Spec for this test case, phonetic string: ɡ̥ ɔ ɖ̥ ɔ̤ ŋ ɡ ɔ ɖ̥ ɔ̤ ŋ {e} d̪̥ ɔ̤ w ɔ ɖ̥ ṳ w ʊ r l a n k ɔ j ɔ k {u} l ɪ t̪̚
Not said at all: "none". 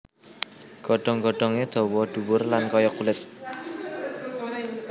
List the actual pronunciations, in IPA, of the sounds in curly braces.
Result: e, u

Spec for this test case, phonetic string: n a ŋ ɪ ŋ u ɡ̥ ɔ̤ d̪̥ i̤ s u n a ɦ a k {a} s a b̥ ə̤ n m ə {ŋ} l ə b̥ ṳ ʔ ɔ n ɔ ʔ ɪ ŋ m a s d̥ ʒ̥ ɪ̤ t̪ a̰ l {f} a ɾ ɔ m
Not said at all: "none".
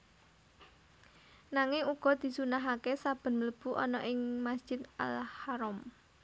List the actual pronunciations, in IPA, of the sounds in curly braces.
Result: e, none, h

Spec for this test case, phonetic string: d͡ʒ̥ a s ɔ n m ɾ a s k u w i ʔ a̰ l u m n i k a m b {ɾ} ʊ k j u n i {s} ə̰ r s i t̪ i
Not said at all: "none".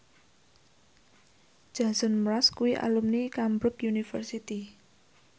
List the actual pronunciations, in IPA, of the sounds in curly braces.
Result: ɾ, f

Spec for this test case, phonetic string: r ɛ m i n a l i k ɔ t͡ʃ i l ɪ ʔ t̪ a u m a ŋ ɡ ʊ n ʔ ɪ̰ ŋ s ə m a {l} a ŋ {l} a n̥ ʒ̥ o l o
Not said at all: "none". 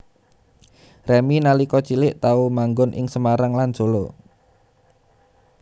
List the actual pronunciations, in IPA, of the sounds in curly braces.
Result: ɾ, l

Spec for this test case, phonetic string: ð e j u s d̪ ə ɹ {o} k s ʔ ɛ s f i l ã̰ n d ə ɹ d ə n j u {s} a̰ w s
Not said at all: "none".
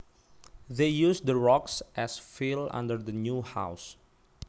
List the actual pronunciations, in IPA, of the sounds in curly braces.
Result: ɔ, h

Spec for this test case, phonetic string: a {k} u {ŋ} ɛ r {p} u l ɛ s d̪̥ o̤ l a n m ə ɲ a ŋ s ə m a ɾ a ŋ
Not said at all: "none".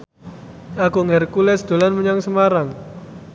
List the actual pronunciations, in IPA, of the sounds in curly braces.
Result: k, ŋ, k

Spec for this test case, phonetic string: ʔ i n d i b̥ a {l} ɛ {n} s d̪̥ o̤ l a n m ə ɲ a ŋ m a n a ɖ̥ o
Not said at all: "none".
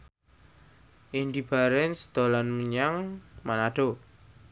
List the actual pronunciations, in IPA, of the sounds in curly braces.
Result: ɾ, n

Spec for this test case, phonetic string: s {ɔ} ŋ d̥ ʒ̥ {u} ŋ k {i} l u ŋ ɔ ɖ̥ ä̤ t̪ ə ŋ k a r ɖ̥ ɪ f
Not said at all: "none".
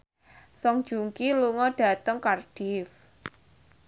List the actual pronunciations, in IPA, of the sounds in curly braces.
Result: ɔ, u, i

